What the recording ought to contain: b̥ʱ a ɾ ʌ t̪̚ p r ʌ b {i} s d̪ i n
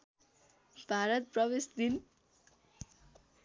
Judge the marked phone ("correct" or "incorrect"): incorrect